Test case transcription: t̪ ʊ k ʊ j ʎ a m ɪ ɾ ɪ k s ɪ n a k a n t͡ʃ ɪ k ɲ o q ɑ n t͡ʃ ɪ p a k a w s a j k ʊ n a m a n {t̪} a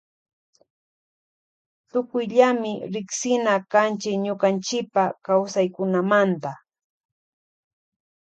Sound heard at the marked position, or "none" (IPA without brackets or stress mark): t̪